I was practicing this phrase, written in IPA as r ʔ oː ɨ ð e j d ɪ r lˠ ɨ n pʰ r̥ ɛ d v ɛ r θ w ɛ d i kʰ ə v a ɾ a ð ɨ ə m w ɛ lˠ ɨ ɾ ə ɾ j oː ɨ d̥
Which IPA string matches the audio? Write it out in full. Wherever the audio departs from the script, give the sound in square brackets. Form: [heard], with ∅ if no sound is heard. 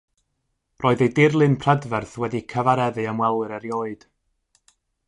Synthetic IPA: r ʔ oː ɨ ð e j d ɪ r lˠ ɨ n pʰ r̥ ɛ d v ɛ r θ w ɛ d i kʰ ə v a ɾ [ɛ] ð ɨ ə m w ɛ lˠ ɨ ɾ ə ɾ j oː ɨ d̥